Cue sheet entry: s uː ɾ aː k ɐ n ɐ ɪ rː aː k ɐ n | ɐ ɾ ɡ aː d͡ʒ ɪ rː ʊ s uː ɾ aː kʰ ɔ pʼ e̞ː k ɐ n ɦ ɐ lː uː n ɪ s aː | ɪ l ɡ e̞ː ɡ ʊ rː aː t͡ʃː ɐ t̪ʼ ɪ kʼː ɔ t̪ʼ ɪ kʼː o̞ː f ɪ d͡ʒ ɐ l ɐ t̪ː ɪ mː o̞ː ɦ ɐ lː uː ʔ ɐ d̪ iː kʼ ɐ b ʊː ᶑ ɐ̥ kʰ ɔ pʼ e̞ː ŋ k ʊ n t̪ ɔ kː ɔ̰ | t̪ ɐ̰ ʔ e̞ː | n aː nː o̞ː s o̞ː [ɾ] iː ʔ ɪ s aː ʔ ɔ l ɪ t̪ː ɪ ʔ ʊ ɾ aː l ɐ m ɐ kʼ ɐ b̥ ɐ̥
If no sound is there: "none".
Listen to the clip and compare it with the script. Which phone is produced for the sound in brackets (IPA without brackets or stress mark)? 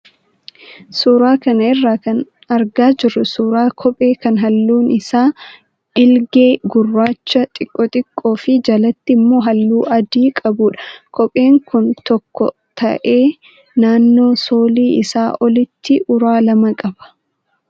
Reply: l